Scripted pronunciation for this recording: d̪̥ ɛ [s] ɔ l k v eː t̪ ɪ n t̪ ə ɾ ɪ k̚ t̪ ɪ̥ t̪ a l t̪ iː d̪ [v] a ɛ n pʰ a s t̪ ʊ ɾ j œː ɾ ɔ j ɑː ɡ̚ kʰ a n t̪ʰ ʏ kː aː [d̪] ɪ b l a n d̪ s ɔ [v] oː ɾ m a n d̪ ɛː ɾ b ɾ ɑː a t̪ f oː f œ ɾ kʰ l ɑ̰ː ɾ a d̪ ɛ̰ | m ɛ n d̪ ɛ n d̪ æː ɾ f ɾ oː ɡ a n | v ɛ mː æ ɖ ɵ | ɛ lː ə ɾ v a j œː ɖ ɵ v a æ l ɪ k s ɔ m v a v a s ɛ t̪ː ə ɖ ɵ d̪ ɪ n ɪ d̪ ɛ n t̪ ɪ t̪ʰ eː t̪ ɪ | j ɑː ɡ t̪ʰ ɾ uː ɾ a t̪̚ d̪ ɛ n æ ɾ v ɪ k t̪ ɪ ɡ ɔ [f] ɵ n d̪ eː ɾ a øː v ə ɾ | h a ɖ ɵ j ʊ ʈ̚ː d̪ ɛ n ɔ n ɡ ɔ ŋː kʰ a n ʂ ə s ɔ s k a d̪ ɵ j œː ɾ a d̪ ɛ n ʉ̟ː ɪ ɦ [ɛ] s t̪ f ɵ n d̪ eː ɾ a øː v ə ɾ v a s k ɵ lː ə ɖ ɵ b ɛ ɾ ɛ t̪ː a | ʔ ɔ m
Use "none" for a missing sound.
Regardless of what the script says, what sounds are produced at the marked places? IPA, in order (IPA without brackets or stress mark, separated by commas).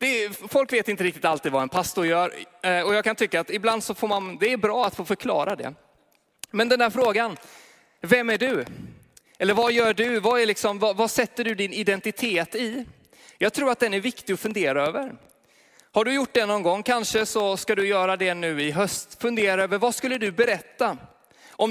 f, v, t̪, f, f, œ